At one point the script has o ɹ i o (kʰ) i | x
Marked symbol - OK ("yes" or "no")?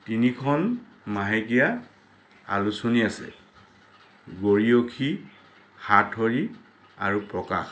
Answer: yes